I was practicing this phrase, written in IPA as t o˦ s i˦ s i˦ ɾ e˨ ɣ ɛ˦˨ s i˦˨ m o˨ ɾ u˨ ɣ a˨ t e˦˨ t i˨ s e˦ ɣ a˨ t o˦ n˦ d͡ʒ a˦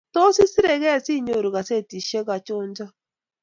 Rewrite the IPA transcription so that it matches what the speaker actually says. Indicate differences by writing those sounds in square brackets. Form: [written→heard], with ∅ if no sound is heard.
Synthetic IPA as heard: t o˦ s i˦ s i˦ ɾ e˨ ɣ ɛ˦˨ s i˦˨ [m→ɲ] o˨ ɾ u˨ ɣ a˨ [t→s] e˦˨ t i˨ [s→ʃ] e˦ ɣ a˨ [t→t͡ʃ] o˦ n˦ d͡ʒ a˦